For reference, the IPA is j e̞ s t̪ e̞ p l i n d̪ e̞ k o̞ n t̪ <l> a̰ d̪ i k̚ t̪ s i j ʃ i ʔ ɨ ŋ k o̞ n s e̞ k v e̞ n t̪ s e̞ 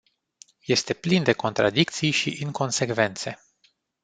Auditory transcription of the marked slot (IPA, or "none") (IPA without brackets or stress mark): ɾ